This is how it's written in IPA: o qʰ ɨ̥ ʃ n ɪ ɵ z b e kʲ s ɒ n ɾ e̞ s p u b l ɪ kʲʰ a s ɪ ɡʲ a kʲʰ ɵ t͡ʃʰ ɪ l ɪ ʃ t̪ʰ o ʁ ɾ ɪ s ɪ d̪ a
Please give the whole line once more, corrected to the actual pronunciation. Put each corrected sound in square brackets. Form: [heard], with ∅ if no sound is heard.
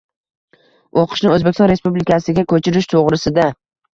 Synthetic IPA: o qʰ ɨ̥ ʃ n ɪ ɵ z b e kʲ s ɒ n ɾ e̞ s p u b l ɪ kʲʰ a s ɪ ɡʲ a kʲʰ ɵ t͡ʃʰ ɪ [ɾ] ɪ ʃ t̪ʰ o ʁ ɾ ɪ s ɪ d̪ a